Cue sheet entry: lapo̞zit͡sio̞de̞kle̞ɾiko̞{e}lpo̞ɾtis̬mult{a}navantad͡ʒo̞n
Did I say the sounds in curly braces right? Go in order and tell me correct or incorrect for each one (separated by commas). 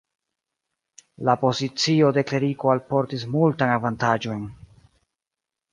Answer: incorrect, correct